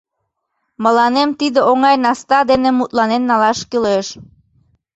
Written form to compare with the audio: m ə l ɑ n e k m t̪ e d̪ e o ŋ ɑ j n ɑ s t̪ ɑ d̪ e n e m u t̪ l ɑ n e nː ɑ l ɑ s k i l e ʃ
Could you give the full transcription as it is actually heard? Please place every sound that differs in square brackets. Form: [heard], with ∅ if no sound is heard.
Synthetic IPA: m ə l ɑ n e [∅] m t̪ [i] d̪ e o ŋ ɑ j n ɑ s t̪ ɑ d̪ e n e m u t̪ l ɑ n e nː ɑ l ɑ [ʃ] k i l e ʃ